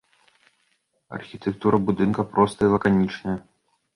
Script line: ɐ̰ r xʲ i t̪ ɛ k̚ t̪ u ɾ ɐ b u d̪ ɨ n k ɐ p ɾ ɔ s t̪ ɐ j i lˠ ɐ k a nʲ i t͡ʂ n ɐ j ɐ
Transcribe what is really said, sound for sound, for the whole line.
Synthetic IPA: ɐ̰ r xʲ i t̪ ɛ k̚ t̪ u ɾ ɐ b u d̪ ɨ n k ɐ p ɾ ɔ s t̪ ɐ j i lˠ ɐ k a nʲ i t͡ʂ n ɐ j ɐ